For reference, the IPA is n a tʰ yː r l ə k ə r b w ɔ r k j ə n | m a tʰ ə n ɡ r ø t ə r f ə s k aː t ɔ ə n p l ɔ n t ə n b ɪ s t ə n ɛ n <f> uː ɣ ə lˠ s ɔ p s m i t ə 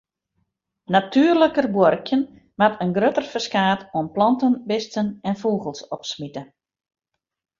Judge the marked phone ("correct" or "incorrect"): correct